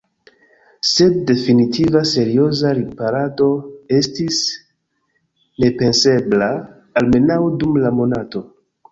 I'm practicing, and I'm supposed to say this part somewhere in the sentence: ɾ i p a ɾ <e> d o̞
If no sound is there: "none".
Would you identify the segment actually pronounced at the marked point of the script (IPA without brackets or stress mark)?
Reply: a